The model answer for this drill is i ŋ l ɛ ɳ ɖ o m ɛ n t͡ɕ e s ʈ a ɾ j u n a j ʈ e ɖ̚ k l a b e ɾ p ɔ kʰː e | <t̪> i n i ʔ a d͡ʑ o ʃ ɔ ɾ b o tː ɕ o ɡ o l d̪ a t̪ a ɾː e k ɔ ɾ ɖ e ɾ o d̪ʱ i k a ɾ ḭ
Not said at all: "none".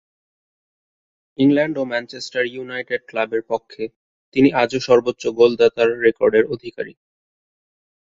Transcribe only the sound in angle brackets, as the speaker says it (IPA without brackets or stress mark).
t̪